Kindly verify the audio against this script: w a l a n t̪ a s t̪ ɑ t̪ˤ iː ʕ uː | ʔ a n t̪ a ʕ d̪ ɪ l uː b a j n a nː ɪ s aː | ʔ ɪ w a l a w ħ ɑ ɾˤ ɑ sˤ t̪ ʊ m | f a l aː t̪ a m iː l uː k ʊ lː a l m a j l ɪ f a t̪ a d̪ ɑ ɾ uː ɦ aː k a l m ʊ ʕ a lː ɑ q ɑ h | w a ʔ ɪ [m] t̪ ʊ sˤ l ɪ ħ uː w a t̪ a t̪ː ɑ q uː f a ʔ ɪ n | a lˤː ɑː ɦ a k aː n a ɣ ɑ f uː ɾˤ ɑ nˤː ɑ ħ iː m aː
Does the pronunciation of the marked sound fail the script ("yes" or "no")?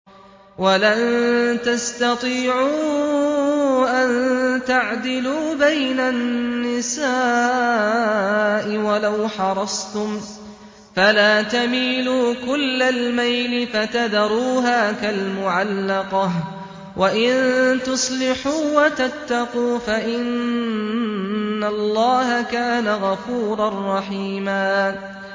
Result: yes